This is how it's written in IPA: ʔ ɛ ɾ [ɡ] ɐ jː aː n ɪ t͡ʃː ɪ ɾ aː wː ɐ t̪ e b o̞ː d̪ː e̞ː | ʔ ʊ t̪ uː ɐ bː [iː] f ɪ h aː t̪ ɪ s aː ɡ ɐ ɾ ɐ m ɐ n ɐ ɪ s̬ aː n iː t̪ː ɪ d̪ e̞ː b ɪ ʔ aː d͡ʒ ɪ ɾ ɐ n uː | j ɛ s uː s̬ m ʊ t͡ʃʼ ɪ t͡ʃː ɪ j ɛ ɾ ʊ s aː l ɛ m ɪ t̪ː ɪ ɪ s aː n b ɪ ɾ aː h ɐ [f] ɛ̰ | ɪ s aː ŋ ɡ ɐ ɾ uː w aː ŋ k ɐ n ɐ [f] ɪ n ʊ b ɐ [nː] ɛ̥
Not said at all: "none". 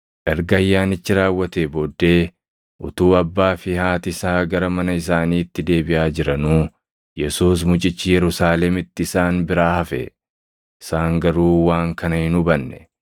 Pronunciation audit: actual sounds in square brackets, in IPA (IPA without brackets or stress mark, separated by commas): ɡ, aː, f, h, nː